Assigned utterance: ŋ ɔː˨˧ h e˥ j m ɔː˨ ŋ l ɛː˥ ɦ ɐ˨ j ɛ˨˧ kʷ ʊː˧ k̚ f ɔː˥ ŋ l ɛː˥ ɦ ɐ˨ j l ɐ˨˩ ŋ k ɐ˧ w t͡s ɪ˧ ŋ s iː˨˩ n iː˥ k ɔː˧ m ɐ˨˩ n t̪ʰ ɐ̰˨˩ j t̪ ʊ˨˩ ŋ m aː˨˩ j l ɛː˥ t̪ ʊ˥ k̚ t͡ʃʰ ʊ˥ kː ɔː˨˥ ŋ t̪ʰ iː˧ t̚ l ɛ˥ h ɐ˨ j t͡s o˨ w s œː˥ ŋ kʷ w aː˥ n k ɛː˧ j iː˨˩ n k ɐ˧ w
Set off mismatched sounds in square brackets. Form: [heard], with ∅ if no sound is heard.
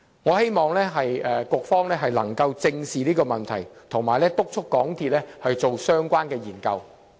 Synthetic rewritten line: ŋ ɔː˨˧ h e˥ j m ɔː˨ ŋ l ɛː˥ ɦ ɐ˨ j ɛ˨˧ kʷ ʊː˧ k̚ f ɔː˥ ŋ l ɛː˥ ɦ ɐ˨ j l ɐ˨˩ ŋ k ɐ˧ w t͡s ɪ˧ ŋ s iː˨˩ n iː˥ k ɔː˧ m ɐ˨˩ n t̪ʰ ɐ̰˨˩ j [t̪ʰ] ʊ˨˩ ŋ m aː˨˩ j l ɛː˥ t̪ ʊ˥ k̚ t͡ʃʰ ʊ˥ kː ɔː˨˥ ŋ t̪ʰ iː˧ t̚ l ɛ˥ h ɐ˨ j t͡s o˨ w s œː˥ ŋ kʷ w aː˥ n k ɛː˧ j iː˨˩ n k ɐ˧ w